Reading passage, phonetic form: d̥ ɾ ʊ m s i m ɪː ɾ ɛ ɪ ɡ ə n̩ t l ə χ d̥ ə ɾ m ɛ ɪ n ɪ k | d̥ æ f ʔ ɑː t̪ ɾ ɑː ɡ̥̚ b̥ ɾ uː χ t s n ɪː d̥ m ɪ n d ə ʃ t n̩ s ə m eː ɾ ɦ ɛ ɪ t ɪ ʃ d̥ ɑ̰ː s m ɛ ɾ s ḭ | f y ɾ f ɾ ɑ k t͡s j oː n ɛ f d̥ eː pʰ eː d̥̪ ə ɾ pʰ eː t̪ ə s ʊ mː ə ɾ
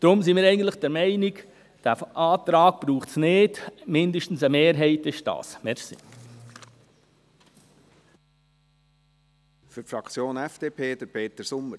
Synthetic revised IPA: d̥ ɾ ʊ m s i m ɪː ɾ ɛ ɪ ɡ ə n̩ t l ə χ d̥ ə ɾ m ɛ ɪ n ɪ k | d̥ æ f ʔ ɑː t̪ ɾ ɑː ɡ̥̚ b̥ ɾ uː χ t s n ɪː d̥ m ɪ n d ə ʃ t n̩ s ə m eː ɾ ɦ ɛ ɪ t ɪ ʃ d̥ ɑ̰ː s m ɛ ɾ s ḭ | f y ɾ f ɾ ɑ k t͡s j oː n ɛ f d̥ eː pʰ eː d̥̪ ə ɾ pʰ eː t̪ ə s ʊ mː ə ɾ